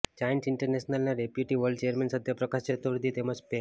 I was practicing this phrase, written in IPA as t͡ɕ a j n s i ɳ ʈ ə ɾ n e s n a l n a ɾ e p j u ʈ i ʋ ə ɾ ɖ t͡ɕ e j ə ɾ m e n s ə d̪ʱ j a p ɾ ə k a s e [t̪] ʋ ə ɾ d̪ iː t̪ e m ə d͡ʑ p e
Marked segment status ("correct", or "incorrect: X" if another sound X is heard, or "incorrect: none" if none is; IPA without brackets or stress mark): correct